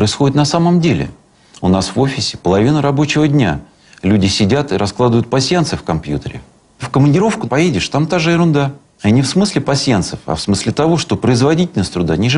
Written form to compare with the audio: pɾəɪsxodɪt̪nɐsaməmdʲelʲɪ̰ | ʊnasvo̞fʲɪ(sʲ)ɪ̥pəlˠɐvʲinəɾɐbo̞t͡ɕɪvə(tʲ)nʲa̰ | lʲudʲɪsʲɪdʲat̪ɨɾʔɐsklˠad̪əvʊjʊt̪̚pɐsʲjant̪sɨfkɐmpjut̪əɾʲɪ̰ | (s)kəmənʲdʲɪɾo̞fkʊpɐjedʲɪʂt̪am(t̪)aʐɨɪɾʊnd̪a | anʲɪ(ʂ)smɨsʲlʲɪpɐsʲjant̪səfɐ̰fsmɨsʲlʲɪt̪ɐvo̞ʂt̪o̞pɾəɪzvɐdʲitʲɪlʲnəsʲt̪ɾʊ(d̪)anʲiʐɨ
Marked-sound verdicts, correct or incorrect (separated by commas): correct, incorrect, incorrect, correct, incorrect, correct